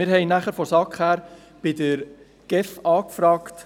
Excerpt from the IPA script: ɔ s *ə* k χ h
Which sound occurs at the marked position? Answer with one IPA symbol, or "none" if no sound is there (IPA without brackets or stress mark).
ɑ